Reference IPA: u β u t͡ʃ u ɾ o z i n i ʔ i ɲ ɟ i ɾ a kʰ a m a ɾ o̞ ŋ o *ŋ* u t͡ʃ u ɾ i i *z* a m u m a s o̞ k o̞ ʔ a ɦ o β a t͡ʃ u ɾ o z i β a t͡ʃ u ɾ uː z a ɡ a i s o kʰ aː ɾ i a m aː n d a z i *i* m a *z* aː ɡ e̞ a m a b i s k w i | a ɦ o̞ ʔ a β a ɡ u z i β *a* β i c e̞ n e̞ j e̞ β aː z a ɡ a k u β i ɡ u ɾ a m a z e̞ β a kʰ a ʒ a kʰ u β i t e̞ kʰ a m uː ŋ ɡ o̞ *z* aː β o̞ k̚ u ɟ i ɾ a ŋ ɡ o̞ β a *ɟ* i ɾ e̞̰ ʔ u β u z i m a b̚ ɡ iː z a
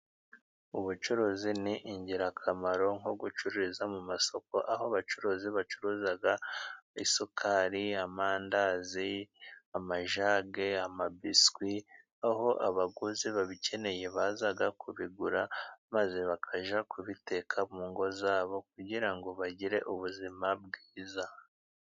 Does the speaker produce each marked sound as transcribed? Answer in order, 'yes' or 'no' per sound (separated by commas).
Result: no, yes, no, no, yes, yes, yes